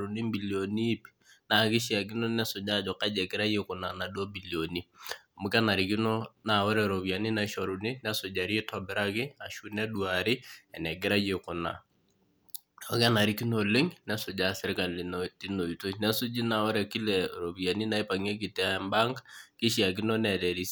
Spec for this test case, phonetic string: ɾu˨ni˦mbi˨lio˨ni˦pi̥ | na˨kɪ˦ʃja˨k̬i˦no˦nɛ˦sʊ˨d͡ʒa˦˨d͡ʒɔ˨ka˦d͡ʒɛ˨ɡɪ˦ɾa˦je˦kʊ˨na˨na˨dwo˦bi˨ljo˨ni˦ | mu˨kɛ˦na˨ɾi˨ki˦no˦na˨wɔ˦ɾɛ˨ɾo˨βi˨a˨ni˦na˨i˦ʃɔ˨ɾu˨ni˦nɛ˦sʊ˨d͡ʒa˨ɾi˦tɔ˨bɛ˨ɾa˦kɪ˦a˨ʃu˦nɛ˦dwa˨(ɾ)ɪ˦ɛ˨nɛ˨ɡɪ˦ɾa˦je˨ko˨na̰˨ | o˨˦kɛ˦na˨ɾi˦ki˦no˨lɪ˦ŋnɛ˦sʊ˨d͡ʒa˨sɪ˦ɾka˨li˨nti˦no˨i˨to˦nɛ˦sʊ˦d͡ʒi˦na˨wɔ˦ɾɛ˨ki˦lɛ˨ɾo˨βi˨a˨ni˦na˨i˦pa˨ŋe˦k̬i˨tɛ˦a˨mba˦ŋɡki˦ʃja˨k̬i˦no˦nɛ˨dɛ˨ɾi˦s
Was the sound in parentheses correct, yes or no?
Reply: yes